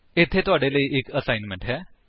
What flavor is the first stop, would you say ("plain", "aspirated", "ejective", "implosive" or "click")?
aspirated